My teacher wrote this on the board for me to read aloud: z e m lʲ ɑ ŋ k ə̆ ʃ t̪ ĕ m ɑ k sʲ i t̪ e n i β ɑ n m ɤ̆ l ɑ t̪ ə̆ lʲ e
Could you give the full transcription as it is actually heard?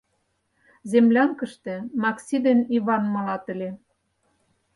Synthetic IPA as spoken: z e m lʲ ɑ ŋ k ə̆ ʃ t̪ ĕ m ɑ k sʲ i d̪ e n i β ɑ n m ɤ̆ l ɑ t̪ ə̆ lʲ e